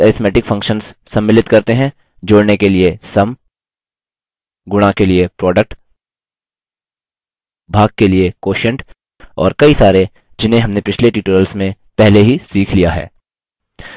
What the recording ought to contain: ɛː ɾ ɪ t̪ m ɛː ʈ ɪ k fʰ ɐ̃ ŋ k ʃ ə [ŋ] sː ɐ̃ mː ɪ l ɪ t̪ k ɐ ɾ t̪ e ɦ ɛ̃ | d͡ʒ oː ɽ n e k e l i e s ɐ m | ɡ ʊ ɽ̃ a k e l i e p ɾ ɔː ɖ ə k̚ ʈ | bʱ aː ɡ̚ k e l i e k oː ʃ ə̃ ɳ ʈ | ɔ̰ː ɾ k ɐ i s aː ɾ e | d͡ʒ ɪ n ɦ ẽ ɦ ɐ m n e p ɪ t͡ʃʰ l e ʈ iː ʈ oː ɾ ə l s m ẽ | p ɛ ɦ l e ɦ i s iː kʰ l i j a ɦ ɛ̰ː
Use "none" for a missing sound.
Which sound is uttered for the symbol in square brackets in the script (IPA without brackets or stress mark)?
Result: n